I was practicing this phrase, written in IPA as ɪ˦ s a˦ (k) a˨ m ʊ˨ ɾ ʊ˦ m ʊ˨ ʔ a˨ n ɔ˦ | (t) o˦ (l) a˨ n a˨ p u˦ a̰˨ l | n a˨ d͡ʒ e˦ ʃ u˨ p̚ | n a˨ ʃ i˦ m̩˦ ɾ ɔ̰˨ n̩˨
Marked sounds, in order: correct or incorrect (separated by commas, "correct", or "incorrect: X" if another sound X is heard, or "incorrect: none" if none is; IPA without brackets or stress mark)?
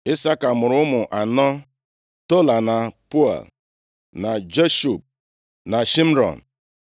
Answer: correct, correct, correct